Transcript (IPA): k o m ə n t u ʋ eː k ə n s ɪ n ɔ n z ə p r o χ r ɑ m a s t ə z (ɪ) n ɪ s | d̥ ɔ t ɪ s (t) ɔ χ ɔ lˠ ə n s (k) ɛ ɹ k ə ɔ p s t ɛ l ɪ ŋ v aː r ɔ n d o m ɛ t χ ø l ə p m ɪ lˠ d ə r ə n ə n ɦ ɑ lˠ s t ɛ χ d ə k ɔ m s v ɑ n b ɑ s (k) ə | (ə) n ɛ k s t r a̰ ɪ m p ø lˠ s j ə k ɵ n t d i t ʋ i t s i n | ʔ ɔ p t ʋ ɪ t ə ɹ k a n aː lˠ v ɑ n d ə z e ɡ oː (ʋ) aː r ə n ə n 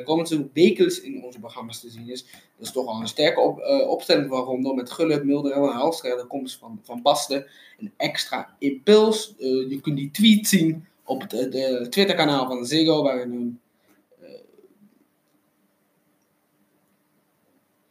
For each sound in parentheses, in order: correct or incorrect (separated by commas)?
incorrect, correct, incorrect, incorrect, correct, correct